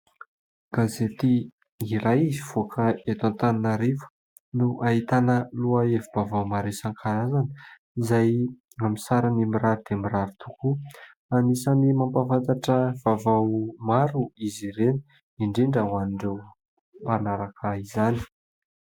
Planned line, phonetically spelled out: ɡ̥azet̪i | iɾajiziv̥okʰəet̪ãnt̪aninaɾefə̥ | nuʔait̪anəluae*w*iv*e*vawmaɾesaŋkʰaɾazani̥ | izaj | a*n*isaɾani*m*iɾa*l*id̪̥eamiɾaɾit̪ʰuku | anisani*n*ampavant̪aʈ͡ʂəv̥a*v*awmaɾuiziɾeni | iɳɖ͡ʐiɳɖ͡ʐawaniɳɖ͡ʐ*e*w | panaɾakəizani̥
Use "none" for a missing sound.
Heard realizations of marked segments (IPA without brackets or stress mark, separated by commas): v, a, m, m, ɾ, m, v, e